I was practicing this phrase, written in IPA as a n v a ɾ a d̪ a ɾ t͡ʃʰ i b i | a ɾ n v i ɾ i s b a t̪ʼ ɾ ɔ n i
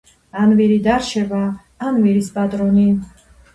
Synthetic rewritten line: a n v i ɾ i d̪ a ɾ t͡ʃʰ ɛ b a | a n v i ɾ i s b a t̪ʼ ɾ ɔ n i